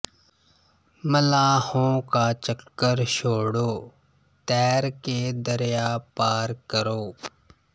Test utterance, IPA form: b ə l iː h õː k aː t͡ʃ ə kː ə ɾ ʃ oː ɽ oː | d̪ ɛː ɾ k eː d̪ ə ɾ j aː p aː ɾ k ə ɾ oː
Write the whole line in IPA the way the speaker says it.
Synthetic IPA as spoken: m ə l aː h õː k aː t͡ʃ ə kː ə ɾ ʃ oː ɽ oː | t̪ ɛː ɾ k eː d̪ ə ɾ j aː p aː ɾ k ə ɾ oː